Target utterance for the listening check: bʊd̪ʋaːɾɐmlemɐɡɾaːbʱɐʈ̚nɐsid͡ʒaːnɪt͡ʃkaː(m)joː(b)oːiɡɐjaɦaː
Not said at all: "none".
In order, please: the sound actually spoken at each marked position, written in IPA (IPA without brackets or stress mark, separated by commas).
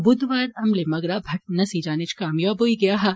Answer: m, b